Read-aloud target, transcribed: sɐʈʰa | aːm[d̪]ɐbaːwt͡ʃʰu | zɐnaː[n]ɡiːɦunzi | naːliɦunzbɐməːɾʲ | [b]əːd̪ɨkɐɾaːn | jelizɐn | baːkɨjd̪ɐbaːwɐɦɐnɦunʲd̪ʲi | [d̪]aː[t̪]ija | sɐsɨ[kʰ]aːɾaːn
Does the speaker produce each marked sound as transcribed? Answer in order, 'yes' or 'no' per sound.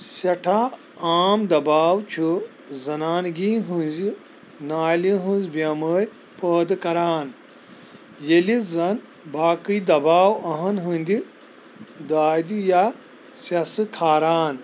yes, yes, no, yes, no, yes

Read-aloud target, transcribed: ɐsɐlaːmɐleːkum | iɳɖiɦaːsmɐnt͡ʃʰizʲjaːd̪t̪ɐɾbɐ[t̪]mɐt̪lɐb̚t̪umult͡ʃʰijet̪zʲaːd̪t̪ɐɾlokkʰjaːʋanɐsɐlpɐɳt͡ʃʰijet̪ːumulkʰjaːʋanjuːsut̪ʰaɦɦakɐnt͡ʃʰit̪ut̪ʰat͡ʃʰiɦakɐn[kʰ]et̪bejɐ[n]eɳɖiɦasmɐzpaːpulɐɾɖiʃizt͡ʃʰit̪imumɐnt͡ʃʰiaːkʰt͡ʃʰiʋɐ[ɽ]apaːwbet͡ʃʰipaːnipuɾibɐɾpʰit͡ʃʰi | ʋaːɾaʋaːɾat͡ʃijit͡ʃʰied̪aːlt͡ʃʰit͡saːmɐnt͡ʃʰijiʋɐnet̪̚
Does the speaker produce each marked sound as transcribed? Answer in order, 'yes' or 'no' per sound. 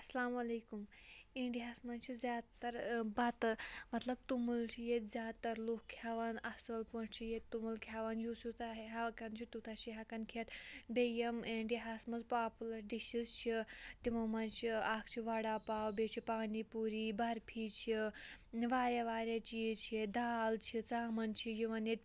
yes, yes, no, yes

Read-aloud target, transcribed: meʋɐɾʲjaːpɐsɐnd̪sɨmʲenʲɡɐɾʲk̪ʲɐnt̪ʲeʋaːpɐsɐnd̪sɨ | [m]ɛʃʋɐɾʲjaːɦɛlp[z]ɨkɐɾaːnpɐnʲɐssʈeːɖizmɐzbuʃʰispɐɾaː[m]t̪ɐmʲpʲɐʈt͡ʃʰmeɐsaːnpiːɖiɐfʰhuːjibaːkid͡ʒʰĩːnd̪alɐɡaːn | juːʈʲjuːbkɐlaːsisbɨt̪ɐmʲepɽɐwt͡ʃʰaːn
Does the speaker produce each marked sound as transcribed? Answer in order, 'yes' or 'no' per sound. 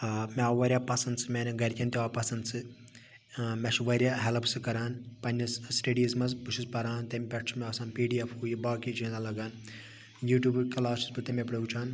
yes, no, no

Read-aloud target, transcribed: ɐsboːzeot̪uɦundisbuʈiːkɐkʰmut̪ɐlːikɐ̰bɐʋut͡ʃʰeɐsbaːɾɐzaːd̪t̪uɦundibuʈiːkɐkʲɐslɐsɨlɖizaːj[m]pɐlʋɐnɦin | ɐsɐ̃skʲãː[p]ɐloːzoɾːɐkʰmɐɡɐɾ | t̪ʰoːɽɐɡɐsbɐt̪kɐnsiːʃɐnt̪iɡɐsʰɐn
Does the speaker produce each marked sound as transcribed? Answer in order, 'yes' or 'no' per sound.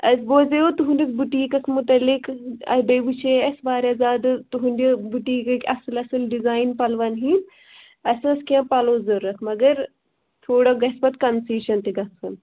no, yes

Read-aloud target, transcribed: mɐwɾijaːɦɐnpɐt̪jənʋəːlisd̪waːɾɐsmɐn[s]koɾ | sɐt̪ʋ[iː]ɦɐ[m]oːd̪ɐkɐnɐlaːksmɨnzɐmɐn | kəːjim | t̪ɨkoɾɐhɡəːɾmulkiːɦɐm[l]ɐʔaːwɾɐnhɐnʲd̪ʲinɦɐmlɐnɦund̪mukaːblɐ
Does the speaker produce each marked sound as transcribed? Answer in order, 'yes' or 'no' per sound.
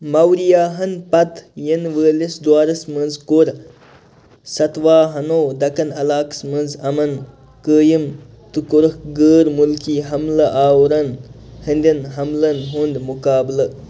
no, no, no, yes

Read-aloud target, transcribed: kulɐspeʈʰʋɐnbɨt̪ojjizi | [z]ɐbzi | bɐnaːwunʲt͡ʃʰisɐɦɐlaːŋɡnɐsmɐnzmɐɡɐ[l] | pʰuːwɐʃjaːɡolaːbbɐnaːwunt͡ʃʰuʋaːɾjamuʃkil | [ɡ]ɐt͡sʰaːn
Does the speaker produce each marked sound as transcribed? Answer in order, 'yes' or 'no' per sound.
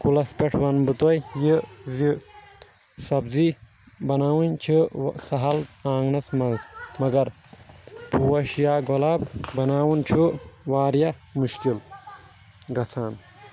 no, no, yes

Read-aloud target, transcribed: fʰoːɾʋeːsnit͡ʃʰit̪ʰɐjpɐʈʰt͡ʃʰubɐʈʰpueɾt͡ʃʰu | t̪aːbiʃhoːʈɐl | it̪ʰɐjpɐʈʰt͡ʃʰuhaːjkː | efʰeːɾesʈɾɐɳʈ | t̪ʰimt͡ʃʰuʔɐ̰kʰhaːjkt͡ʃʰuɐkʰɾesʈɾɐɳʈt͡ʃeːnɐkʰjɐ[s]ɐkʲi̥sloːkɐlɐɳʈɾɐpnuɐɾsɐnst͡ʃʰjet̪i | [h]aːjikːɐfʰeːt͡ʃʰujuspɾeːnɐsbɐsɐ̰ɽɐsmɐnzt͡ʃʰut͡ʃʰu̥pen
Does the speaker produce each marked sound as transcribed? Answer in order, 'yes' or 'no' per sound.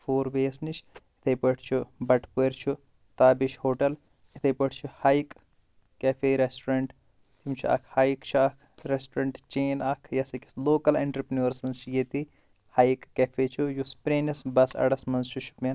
yes, yes

